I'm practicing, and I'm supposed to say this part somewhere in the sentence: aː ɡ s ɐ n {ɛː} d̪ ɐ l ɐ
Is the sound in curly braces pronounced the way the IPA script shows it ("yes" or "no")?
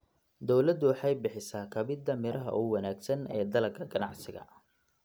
yes